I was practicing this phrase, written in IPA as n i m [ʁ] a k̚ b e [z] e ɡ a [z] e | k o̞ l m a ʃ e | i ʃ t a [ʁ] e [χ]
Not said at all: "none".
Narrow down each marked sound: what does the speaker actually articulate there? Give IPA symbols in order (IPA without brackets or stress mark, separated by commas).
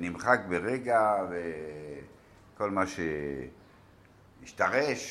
χ, ʁ, v, ʁ, ʃ